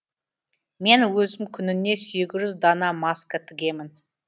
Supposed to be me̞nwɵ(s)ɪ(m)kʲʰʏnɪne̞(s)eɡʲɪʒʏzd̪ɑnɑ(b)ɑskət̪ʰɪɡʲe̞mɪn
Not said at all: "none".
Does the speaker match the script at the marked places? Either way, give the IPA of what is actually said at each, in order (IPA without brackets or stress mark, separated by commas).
z, m, s, m